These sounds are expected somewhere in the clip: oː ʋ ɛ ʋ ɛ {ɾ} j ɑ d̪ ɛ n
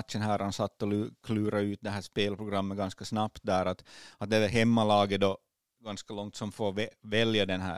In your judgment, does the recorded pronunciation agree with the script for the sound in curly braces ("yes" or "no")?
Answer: no